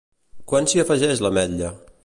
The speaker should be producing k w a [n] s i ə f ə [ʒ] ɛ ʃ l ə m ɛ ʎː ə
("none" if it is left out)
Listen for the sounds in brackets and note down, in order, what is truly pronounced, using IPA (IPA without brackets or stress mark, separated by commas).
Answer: n, ʒ